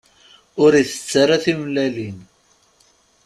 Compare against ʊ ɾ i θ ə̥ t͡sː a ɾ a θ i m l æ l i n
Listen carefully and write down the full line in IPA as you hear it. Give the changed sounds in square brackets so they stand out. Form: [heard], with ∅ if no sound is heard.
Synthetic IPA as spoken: ʊ ɾ i θ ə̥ t͡sː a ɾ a θ i m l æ l i n